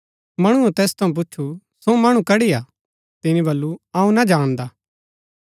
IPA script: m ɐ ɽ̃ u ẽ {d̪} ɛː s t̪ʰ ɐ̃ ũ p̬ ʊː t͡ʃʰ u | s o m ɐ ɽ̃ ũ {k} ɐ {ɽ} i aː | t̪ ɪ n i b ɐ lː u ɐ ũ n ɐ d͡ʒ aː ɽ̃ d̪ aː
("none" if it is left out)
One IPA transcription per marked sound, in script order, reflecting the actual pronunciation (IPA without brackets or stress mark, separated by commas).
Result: t̪, k, ɽ